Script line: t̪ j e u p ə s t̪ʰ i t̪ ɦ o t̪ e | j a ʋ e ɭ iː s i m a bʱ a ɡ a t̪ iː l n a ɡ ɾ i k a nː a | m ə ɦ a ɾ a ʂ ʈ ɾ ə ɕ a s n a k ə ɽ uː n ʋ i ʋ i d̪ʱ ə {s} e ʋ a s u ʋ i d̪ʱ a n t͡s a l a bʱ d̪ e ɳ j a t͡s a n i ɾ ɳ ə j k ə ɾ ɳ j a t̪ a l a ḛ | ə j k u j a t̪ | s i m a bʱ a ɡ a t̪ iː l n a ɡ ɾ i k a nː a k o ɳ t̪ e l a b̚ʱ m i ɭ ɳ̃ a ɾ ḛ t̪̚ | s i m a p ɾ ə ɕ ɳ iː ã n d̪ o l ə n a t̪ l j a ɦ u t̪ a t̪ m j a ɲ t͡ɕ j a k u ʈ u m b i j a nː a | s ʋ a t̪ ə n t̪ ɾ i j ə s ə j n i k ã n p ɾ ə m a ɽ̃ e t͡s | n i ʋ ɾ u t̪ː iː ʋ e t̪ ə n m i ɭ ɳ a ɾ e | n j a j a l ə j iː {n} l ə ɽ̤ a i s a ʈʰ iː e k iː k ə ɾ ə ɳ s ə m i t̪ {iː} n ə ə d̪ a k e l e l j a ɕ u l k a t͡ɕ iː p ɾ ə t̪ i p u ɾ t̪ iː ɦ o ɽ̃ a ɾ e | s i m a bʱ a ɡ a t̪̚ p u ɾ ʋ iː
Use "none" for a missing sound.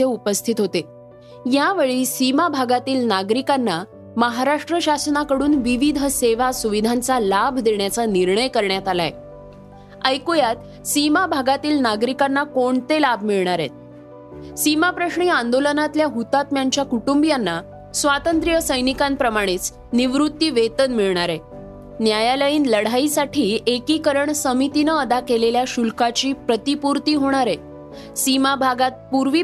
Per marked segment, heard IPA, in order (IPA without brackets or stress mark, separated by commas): s, n, i